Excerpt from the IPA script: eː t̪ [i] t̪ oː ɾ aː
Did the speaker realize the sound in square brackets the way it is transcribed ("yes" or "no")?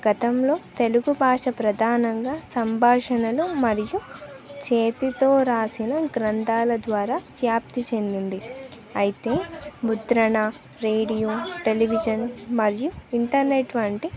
yes